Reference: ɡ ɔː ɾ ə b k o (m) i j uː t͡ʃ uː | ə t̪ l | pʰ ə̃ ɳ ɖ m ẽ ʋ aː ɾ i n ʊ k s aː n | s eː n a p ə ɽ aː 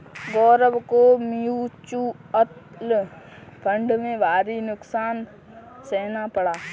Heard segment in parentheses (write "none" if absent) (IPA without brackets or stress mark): m